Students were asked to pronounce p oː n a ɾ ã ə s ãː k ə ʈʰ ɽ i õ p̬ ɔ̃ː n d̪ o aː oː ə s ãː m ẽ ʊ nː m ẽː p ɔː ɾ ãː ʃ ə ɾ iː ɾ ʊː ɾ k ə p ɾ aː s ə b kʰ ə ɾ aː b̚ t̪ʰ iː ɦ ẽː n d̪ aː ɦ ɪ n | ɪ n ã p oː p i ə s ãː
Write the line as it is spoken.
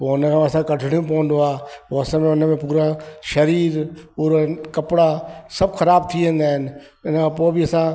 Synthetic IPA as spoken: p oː n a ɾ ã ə s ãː k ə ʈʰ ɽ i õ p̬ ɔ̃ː n d̪ o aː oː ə s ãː m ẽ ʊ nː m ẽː p uː ɾ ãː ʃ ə ɾ iː ɾ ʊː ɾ k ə p ɽ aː s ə b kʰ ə ɾ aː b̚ t̪ʰ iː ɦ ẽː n d̪ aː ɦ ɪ n | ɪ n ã p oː b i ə s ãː